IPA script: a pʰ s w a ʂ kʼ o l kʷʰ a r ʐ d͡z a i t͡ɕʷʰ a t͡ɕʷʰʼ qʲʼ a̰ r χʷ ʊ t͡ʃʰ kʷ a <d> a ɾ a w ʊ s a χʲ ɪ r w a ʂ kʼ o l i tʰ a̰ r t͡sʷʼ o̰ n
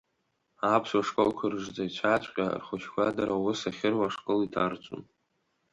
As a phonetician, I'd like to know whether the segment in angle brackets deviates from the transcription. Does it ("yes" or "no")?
no